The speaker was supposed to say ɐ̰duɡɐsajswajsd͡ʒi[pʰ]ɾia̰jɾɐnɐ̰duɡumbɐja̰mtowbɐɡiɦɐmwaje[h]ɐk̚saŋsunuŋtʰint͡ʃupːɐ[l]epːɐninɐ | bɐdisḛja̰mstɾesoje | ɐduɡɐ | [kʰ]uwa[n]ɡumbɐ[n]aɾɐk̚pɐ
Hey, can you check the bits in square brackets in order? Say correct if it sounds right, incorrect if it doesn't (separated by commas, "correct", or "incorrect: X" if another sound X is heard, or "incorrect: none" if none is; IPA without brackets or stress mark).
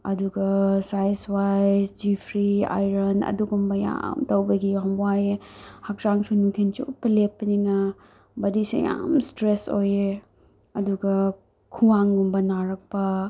correct, correct, correct, correct, incorrect: ŋ, correct